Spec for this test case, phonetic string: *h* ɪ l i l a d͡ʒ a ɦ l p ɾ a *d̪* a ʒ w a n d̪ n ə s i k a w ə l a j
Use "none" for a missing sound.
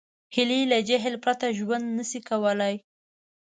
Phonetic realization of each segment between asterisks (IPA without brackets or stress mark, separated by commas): h, t̪